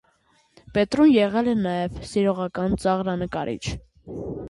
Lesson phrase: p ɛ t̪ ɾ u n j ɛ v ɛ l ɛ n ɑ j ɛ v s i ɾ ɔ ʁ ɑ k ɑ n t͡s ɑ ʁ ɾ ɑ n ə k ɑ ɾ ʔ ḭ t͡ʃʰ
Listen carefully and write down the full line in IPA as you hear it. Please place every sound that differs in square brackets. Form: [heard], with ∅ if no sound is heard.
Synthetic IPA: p ɛ t̪ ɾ u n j ɛ [ʁ] ɛ l ɛ n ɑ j ɛ v s i ɾ ɔ ʁ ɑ k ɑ n t͡s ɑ ʁ ɾ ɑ n ə k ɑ ɾ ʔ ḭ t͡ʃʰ